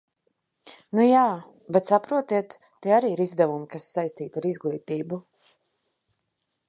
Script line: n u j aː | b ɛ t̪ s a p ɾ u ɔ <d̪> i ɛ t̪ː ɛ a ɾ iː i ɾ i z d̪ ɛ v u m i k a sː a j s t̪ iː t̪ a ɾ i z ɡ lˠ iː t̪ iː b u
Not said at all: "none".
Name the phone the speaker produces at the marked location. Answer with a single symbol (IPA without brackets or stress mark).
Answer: t̪